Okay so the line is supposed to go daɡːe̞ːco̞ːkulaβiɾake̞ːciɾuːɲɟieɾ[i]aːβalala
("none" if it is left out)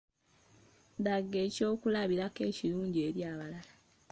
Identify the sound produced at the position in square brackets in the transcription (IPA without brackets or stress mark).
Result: j